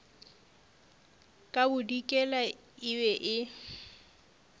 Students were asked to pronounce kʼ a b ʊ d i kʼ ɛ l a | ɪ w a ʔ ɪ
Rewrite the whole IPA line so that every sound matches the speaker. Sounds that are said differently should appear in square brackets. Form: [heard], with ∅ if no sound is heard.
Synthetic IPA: kʼ a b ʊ d i kʼ ɛ l a | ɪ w [ɛ] ʔ ɪ